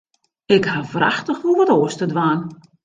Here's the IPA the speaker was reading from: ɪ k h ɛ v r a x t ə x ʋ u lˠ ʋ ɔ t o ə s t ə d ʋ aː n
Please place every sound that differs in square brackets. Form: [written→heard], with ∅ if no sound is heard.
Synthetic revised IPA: ɪ k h [ɛ→a] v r a x t ə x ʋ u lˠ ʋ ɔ t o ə s t ə d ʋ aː n